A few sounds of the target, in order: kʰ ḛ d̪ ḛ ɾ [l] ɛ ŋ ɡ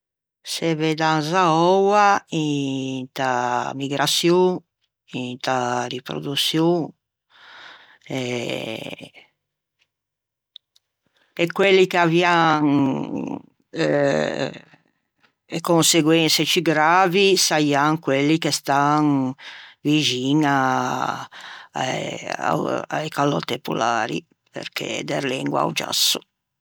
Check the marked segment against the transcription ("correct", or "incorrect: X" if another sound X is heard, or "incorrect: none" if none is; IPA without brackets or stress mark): correct